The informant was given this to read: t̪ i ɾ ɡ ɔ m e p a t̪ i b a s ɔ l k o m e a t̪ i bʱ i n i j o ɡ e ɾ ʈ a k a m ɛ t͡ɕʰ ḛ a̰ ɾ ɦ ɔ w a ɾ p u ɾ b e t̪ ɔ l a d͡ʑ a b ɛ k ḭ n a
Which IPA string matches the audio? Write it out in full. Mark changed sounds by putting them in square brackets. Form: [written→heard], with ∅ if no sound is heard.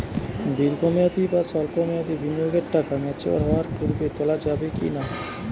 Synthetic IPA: [t̪→d̪] i ɾ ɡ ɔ m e [p→∅] a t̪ i b a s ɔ l k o m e a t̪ i bʱ i n i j o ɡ e ɾ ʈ a k a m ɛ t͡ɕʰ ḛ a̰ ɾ ɦ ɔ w a ɾ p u ɾ b e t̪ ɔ l a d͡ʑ a b [ɛ→e] k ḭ n a